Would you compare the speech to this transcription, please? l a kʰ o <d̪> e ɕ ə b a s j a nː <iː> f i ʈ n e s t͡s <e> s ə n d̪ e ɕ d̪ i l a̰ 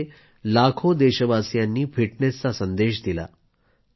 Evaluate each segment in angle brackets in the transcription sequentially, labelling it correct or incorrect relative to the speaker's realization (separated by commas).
correct, correct, incorrect